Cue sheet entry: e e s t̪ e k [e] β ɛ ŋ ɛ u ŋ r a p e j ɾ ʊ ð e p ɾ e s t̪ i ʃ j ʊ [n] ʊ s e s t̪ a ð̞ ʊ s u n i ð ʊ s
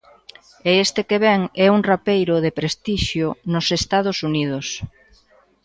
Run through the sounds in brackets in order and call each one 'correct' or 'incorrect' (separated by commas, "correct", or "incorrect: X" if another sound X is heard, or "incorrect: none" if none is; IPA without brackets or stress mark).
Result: correct, correct